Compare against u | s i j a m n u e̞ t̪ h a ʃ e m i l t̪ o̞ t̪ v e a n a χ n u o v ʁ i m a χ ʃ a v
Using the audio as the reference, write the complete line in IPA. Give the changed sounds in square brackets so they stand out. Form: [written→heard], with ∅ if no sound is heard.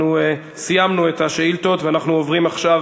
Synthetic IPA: u | s i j a m n u e̞ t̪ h a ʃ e [m→∅] i l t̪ o̞ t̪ v e a n a χ n u o v ʁ i m a χ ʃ a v